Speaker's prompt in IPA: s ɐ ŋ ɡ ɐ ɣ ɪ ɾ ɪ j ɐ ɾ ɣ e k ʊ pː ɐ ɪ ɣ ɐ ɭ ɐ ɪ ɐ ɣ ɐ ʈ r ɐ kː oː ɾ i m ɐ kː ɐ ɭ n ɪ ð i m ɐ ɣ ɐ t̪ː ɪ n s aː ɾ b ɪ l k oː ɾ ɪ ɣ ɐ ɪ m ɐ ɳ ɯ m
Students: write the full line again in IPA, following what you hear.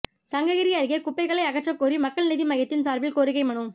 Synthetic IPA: s ɐ ŋ ɡ ɐ ɣ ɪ ɾ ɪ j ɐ ɾ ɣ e k ʊ pː ɐ ɪ ɣ ɐ ɭ ɐ ɪ ɐ ɣ ɐ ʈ r ɐ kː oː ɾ i m ɐ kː ɐ ɭ n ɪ ð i m ɐ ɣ ɐ t̪ː ɪ n s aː ɾ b ɪ l k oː ɾ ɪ ɣ ɐ ɪ m ɐ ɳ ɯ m